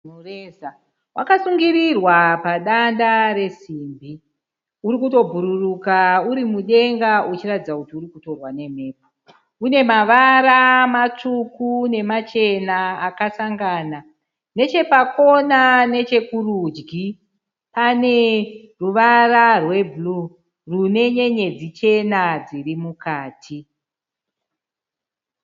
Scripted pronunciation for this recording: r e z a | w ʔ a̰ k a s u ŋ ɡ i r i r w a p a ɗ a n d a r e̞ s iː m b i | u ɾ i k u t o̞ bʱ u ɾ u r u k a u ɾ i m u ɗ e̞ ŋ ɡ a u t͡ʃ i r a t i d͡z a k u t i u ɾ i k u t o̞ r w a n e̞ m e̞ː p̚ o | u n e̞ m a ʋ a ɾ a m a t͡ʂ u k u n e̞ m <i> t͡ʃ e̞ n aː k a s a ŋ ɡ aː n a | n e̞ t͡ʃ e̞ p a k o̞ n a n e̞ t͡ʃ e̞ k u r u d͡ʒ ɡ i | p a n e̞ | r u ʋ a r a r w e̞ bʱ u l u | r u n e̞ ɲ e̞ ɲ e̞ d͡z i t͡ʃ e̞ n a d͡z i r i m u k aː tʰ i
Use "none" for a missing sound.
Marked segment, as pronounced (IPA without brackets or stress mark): a